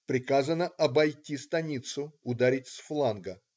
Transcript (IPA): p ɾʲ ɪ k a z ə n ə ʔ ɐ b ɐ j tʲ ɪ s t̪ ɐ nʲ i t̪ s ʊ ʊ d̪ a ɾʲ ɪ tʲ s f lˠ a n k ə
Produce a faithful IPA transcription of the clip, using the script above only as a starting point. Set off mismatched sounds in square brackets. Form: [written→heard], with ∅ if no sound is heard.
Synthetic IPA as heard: p ɾʲ ɪ k a z ə n ə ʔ ɐ b ɐ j tʲ [ɪ→i] s t̪ ɐ nʲ i t̪ s ʊ ʊ d̪ a ɾʲ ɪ tʲ s f lˠ a n [k→ɡ] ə